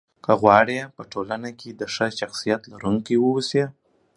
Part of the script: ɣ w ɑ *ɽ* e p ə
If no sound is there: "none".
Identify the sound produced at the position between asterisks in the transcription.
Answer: ɽ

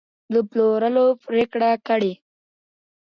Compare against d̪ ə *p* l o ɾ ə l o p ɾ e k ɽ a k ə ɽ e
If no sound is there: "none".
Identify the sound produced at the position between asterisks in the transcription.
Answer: p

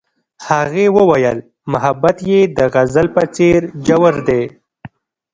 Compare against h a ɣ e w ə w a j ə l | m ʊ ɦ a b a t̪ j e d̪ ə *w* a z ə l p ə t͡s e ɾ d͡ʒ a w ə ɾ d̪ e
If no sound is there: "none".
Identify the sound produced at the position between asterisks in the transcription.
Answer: ɣ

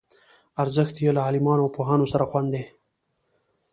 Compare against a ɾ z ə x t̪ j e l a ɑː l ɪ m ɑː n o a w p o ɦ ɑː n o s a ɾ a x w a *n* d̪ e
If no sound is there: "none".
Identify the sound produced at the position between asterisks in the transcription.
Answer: n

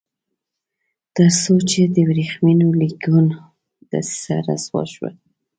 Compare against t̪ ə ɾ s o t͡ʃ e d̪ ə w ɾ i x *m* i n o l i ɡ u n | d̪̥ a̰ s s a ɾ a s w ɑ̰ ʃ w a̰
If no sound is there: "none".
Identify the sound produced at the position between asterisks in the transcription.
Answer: m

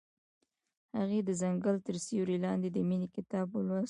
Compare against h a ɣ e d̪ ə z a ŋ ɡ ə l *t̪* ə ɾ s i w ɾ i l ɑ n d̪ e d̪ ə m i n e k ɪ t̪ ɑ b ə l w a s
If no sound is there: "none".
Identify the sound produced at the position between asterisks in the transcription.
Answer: t̪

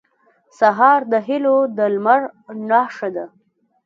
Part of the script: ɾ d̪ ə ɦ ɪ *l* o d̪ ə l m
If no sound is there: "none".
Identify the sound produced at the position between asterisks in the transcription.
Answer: l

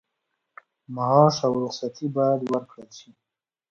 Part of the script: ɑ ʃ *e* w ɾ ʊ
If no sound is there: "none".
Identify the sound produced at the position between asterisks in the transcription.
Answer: a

